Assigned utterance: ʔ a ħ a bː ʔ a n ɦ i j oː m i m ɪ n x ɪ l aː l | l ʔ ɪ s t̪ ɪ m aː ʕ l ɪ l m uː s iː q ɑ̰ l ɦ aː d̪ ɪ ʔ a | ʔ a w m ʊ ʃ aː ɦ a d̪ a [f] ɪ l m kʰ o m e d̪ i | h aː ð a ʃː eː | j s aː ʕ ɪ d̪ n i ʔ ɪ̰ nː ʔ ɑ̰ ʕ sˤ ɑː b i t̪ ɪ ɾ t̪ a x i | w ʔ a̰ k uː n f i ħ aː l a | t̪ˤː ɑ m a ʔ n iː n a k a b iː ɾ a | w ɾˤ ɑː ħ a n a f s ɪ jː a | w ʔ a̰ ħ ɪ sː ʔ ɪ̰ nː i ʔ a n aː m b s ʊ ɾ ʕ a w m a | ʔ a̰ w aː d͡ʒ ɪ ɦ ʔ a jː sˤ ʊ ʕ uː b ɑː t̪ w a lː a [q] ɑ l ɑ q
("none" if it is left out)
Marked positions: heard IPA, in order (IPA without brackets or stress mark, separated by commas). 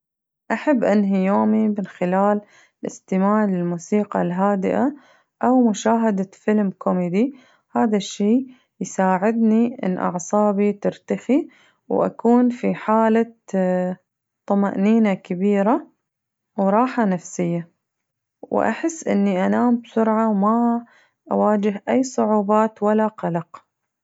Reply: f, q